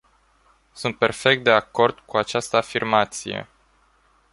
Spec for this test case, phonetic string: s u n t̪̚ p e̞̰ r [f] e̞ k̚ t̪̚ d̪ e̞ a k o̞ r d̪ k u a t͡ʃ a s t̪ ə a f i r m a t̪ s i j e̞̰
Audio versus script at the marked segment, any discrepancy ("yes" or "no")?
no